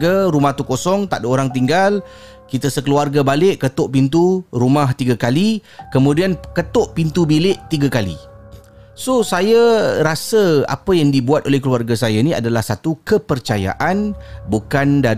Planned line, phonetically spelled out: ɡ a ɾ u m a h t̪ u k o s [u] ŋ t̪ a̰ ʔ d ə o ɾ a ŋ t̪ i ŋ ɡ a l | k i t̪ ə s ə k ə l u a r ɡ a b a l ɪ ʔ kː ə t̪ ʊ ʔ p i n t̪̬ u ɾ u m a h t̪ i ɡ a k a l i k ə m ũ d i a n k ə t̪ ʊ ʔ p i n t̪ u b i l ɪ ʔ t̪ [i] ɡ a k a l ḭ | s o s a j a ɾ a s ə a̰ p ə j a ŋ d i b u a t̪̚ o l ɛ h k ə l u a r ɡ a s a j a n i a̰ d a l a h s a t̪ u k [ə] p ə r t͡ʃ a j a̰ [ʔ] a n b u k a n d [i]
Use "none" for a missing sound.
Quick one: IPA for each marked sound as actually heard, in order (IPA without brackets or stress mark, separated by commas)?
ɔ, i, ə, ʔ, a